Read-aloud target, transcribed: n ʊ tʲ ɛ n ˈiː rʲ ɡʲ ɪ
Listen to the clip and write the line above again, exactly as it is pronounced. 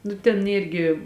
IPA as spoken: n ʊ tʲ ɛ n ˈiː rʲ ɡʲ ɪ